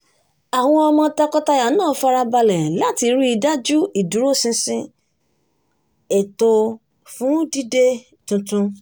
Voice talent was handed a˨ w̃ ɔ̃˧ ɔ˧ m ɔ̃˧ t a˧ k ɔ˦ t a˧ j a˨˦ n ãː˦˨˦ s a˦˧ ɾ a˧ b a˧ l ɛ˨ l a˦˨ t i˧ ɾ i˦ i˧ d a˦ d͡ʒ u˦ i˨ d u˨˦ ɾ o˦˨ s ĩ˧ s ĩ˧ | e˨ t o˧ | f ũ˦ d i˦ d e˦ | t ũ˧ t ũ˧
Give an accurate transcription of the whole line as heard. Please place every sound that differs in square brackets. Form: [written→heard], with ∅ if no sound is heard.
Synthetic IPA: a˨ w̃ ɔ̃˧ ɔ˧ m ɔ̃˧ t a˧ k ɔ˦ t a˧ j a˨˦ n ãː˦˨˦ [s→f] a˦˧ ɾ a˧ b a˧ l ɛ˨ l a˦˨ t i˧ ɾ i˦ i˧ d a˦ d͡ʒ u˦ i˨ d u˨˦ ɾ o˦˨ s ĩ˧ s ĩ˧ | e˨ t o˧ | f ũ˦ d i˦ d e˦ | t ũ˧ t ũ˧